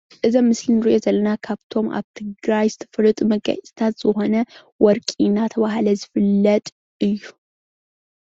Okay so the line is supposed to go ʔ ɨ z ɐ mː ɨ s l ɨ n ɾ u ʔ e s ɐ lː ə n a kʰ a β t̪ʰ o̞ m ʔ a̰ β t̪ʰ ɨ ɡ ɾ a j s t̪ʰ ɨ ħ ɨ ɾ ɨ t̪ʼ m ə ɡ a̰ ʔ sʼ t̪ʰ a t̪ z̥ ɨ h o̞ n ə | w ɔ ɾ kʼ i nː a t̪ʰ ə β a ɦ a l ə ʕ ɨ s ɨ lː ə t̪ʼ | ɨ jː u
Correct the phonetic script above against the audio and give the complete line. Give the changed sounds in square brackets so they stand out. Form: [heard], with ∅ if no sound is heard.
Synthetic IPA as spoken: ʔ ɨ z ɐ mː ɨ s l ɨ n ɾ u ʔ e [z] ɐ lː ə n a kʰ a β t̪ʰ o̞ m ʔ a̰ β t̪ʰ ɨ ɡ ɾ a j s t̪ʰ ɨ [f] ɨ ɾ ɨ t̪ʼ m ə ɡ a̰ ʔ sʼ t̪ʰ a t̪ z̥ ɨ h o̞ n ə | w ɔ ɾ kʼ i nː a t̪ʰ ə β a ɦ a l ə [z] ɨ [f] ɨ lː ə t̪ʼ | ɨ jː u